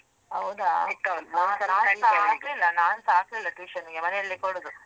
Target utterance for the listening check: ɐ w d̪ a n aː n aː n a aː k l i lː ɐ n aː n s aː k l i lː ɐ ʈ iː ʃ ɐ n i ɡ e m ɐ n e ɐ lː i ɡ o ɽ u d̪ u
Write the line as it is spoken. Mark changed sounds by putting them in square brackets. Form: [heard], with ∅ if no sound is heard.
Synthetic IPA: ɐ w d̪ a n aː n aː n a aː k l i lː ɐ n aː n s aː k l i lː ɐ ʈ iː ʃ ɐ n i ɡ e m ɐ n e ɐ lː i [k] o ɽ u d̪ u